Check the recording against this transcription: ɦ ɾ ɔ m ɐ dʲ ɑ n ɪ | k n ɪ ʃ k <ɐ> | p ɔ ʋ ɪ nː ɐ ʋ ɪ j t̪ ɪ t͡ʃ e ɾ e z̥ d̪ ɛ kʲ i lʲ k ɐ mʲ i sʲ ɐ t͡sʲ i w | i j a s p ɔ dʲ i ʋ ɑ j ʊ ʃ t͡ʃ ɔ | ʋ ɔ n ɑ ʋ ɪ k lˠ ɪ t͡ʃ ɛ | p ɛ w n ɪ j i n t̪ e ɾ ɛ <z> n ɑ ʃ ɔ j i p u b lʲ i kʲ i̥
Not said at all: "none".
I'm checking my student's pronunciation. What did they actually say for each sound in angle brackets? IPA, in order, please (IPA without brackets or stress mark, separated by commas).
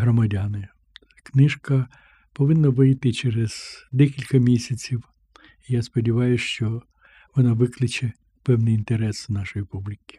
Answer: ɐ, s